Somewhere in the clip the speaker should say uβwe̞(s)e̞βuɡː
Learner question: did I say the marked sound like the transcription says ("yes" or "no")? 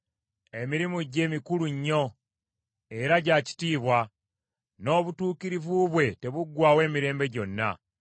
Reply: no